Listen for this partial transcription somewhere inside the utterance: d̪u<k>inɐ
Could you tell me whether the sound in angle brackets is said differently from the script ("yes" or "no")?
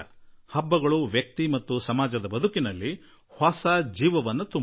no